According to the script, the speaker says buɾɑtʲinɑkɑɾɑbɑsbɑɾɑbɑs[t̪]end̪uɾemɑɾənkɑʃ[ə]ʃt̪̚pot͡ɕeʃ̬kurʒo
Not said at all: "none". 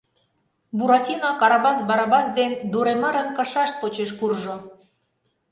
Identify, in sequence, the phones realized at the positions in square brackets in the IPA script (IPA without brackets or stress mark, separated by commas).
d̪, ɑ